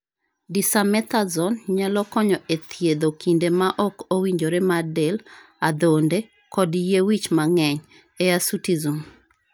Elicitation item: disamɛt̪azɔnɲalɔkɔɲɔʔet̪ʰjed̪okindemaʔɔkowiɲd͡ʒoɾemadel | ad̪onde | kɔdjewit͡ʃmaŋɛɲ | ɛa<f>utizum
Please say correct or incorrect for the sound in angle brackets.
incorrect